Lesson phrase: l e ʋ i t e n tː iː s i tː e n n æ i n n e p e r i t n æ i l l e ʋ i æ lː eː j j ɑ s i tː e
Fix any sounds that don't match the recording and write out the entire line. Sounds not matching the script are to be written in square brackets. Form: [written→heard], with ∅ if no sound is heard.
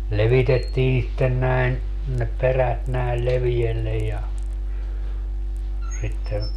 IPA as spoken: l e ʋ i t e [n→∅] tː iː s i tː e n n æ i n n e p e r [i→æ] t n æ i l l e ʋ i [æ→e] lː [eː→e] j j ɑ s i tː e